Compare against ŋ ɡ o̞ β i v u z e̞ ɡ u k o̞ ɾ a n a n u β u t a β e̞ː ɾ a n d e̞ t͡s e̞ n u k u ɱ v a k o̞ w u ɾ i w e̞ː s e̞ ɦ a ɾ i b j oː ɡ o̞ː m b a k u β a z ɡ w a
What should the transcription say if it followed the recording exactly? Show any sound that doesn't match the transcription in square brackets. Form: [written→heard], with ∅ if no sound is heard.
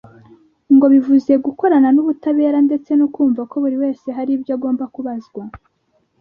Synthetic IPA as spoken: ŋ ɡ o̞ β i v u z e̞ ɡ u k o̞ ɾ a n a n u β u t a β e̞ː ɾ a n d e̞ t͡s e̞ n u k [u→uː] ɱ v a k o̞ [w→β] u ɾ i w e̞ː s e̞ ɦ a ɾ i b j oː ɡ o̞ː m b a k u β a z ɡ w a

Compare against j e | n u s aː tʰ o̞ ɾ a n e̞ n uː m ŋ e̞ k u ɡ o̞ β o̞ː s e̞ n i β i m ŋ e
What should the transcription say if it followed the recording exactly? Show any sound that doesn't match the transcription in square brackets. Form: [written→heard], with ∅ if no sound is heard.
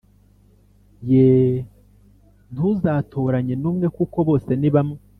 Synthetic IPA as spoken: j e | n u [s→z] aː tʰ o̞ ɾ a [n→ɲ] e̞ n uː m ŋ e̞ k u [ɡ→k] o̞ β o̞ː s e̞ n i β [i→a] m ŋ e

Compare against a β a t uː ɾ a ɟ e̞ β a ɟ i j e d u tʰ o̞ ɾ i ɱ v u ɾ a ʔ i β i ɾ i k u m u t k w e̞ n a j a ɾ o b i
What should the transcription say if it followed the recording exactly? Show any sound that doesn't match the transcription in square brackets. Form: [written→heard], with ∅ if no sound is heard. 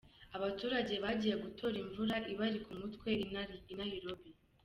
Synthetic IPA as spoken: a β a t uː ɾ a ɟ e̞ β a ɟ i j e [d→ɡ] u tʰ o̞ ɾ i ɱ v u ɾ a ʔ i β [i→a] ɾ i k u m u t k w e̞ n a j [a→i] ɾ o b i

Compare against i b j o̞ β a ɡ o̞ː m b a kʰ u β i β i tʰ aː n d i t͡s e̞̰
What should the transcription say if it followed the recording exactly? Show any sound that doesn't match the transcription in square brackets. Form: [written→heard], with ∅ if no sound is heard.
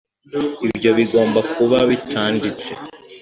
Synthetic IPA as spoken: i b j o̞ β [a→i] ɡ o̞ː m b a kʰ u β [i→a] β i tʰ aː n d i t͡s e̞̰

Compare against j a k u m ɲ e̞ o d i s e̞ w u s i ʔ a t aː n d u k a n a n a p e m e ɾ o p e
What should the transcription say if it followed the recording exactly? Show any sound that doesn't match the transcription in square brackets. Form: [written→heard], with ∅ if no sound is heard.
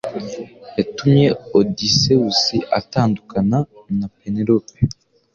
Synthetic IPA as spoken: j a [k→t] u m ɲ e̞ o d i s e̞ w u s i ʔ a t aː n d u k a n a n a p e [m→n] e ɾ o p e

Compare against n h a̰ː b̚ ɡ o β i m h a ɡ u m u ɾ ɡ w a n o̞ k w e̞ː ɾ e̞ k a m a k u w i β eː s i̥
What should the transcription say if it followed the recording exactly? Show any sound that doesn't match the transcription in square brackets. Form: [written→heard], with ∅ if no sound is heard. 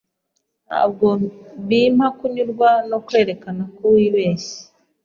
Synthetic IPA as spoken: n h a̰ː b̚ ɡ o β i m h a [ɡ→k] u [m→ɲ] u ɾ ɡ w a n o̞ k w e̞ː ɾ e̞ k a [m→n] a k u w i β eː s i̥

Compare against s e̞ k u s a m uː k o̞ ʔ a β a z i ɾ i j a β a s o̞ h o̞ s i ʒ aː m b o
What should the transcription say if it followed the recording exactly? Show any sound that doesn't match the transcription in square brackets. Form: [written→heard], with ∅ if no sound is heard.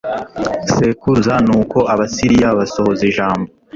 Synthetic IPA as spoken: s e̞ k u [s→z] a [m→n] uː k o̞ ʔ a β a [z→s] i ɾ i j a β a s o̞ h o̞ [s→z] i ʒ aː m b o

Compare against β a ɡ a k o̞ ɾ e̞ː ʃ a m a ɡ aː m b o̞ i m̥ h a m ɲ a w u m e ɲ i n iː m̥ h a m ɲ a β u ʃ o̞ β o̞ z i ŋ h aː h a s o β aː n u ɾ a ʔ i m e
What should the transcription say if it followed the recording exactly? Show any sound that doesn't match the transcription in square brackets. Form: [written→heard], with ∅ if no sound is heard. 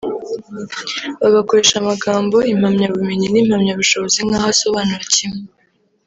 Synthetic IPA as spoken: β a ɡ a k o̞ ɾ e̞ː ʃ a m a ɡ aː m b o̞ i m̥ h a m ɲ a [w→β] u m e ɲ i n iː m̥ h a m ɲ a β u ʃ o̞ β o̞ z i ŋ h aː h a s o β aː n u ɾ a [ʔ→c] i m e

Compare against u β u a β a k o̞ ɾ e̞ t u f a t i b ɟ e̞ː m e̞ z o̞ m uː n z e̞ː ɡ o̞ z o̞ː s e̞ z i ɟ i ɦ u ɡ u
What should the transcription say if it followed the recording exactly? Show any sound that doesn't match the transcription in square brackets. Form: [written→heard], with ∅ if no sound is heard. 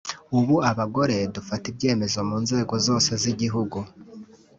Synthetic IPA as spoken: u β u a β a [k→ɡ] o̞ ɾ e̞ [t→d] u f a t i b ɟ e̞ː m e̞ z o̞ m uː n z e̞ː ɡ o̞ z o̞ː s e̞ z i ɟ i ɦ u ɡ u

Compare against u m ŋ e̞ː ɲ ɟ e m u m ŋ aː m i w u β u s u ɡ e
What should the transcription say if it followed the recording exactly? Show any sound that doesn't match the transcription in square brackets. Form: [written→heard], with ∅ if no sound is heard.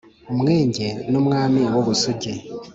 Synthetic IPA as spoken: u m ŋ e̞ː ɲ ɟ e [m→n] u m ŋ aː m i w [u→o] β u s u [ɡ→ɟ] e

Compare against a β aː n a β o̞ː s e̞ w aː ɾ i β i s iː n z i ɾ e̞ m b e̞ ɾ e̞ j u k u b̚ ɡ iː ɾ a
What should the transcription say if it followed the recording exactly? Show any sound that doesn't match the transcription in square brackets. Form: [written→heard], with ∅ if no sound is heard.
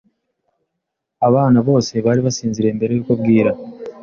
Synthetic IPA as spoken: a β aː n a β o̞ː s e̞ [w→β] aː ɾ i β [i→a] s iː n z i ɾ e̞ m b e̞ ɾ e̞ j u k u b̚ ɡ iː ɾ a

